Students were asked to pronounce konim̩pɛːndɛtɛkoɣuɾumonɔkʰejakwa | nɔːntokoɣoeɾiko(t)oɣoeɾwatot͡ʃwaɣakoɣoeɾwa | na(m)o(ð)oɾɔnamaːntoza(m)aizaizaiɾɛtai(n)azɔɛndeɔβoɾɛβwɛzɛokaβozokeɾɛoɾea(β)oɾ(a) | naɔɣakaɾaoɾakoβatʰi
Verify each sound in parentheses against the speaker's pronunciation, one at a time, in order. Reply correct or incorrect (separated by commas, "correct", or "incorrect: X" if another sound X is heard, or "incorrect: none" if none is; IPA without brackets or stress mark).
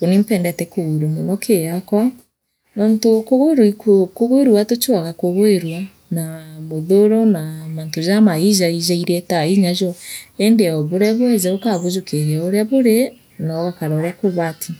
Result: incorrect: k, correct, correct, correct, incorrect: ɲ, correct, incorrect: e